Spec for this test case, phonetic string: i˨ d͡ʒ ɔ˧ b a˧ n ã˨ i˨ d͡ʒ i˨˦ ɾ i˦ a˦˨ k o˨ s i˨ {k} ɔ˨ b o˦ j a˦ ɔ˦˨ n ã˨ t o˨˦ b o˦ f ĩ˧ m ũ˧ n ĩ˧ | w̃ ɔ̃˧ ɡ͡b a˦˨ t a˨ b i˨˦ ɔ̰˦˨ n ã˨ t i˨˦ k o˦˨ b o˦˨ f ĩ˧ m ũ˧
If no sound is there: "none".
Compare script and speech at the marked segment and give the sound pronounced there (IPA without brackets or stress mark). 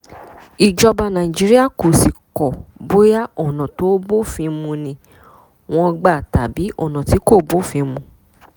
k